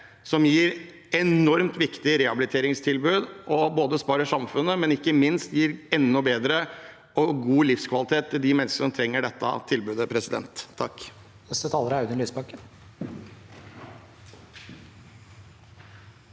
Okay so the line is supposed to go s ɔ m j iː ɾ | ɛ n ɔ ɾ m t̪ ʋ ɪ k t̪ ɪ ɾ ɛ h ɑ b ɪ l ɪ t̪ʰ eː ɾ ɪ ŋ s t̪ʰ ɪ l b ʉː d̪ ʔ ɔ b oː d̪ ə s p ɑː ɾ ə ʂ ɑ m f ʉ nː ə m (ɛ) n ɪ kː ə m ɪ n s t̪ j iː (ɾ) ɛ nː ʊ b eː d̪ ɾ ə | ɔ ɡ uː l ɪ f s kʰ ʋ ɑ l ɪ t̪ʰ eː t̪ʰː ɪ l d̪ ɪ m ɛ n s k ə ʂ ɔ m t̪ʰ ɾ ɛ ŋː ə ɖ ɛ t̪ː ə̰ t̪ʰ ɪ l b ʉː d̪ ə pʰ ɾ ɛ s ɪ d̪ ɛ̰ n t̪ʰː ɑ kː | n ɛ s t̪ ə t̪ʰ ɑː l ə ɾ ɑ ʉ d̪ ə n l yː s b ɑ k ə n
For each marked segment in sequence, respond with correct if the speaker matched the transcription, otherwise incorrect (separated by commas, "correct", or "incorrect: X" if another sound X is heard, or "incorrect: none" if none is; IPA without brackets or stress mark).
correct, correct